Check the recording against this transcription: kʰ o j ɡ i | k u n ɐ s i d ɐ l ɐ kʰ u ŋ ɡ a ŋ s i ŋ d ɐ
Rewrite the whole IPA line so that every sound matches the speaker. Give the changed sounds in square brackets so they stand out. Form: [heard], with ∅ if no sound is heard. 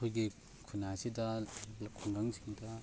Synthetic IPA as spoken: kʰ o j ɡ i | [kʰ] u n [a] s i d ɐ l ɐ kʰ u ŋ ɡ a ŋ s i ŋ d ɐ